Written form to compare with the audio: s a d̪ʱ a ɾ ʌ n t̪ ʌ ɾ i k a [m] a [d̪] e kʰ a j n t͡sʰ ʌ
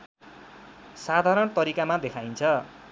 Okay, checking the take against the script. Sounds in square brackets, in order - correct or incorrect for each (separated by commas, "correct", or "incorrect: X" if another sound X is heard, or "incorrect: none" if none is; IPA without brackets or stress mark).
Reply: correct, correct